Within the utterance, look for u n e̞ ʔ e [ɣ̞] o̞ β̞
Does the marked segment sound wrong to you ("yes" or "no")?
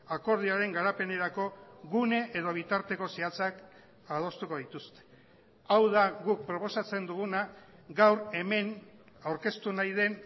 yes